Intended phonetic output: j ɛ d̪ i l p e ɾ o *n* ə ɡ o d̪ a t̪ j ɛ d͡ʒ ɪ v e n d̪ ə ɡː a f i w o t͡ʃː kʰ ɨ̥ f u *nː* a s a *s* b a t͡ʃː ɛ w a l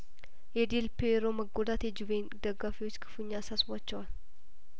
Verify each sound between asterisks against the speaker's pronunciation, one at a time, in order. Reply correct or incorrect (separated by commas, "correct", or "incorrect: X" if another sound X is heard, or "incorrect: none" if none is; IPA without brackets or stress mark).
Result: incorrect: m, incorrect: ɲː, correct